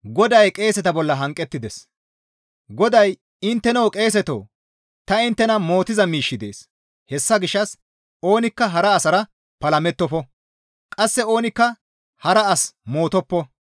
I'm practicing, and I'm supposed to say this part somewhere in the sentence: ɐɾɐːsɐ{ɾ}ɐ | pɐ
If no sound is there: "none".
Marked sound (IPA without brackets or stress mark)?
ɾ